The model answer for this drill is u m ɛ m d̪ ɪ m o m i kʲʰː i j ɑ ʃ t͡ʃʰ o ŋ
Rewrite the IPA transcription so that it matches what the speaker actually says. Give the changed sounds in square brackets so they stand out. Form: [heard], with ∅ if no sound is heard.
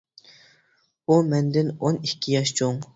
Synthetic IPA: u m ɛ [n] d̪ ɪ [n] o [n] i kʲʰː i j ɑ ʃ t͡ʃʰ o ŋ